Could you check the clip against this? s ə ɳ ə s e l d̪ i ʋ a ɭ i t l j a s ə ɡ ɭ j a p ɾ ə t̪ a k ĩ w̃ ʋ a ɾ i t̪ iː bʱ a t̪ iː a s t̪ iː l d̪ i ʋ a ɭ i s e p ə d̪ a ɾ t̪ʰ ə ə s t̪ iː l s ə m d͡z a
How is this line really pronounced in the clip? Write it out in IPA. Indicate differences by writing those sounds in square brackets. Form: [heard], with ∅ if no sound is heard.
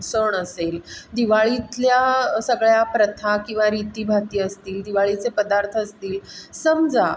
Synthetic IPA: s ə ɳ ə s e l d̪ i ʋ a ɭ i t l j a s ə ɡ ɭ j a p ɾ ə [t̪ʰ] a k ĩ w̃ ʋ a ɾ i t̪ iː bʱ a t̪ iː [ə] s t̪ iː l d̪ i ʋ a ɭ i [t͡s] e p ə d̪ a ɾ t̪ʰ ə ə s t̪ iː l s ə m d͡z a

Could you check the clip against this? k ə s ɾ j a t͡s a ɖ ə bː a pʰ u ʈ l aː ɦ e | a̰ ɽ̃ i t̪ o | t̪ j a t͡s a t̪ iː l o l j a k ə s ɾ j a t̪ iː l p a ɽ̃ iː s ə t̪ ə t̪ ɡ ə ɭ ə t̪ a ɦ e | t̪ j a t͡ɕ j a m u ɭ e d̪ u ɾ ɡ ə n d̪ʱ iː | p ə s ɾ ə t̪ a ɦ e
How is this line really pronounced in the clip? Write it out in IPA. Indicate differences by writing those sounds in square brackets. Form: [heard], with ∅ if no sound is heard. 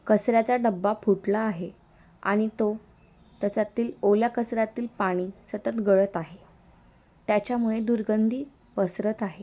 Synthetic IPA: k ə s ɾ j a t͡s a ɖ ə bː a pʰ u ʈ l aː ɦ e | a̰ ɽ̃ i t̪ o | t̪ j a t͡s a t̪ iː l o l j a k ə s ɾ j a t̪ iː l p a ɽ̃ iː s ə t̪ ə t̪ ɡ ə ɭ ə t̪ a ɦ e | t̪ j a t͡ɕ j a m u ɭ e d̪ u ɾ ɡ ə n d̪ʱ iː | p ə s ɾ ə t̪ a ɦ e

